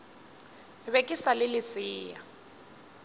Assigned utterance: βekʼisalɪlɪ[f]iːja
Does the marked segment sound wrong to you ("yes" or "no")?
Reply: yes